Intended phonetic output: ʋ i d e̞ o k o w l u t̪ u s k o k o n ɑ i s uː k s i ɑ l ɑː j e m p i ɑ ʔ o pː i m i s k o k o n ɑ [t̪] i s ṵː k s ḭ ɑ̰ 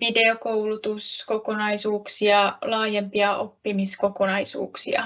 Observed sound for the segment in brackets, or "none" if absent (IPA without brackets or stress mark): none